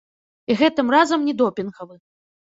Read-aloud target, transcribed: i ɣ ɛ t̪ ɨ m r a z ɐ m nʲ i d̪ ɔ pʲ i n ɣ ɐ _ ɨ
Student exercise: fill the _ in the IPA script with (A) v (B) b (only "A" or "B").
A